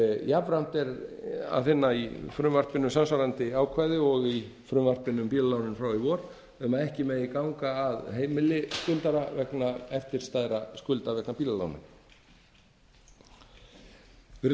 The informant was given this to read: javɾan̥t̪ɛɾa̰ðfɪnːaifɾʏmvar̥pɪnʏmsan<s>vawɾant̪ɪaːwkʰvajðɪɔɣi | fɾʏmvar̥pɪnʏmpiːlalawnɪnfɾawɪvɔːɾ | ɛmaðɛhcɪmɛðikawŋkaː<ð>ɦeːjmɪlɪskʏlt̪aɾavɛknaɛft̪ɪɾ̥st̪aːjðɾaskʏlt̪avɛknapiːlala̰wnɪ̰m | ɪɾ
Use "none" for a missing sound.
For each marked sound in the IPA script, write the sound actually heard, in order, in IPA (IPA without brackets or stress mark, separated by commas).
s, ð